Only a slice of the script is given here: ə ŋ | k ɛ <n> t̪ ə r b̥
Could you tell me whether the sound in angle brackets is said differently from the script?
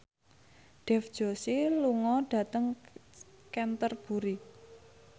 no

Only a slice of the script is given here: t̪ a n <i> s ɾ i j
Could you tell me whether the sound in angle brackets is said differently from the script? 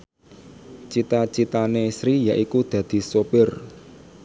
yes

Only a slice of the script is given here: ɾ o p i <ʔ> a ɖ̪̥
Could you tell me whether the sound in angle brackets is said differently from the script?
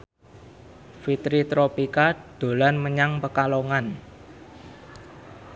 yes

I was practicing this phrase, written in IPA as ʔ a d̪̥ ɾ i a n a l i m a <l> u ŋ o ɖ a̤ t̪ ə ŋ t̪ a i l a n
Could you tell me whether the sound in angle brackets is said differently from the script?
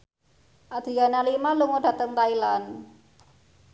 no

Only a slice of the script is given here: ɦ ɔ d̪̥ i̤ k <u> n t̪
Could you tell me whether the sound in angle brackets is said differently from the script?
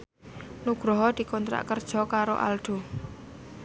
yes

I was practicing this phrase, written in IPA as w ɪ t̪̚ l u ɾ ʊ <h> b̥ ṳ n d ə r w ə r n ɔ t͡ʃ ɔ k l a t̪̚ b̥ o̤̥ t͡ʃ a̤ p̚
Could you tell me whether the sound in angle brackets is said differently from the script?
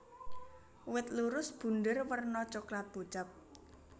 yes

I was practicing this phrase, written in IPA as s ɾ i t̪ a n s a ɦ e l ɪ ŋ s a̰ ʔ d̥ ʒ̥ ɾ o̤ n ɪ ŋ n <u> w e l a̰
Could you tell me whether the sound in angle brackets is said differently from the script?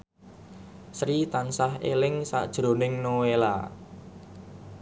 yes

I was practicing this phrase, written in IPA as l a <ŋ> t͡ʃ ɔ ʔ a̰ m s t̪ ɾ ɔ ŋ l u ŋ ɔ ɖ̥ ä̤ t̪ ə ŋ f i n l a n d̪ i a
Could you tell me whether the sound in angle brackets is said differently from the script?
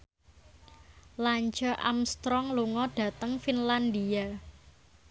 yes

